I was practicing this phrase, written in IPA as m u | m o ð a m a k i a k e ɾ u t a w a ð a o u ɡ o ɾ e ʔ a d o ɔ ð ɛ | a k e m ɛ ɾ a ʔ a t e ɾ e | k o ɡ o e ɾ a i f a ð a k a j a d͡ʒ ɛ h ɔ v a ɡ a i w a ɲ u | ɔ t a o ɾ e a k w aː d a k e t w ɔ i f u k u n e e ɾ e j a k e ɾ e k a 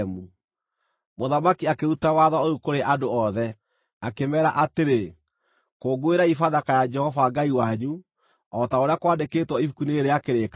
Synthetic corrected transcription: m u | m o ð a m a k i a k e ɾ u t a w a ð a o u k o ɾ e ʔ a d o ɔ ð ɛ | a k e m ɛ ɾ a ʔ a t e ɾ e | k o ɡ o e ɾ a i f a ð a k a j a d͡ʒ ɛ h ɔ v a ɡ a i w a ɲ u | ɔ t a o ɾ e a k w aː d e k e t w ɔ i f u k u n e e ɾ e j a k e ɾ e k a